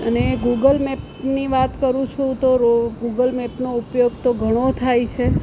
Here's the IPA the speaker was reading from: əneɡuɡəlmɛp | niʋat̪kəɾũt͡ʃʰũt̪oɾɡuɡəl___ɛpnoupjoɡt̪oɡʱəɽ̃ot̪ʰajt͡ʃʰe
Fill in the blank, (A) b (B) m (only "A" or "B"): B